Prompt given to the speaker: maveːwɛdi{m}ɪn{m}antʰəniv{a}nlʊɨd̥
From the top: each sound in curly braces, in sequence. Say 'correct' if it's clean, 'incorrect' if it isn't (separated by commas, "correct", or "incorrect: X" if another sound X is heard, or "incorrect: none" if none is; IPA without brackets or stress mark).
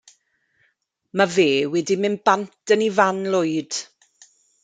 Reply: correct, incorrect: b, correct